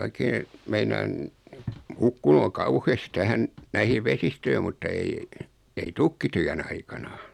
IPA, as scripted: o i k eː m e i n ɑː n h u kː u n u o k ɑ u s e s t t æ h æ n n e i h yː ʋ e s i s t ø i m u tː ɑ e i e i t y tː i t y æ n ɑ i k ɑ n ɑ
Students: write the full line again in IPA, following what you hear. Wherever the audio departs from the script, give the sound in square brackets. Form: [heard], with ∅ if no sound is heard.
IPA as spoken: o i k eː m e i n ɑː n h u kː u n u o k ɑ u [h] e s t t æ h æ n n [æ] i h [iː] ʋ e s i s t ø i m u tː ɑ e i e i t y [kː] i t y æ n ɑ i k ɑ n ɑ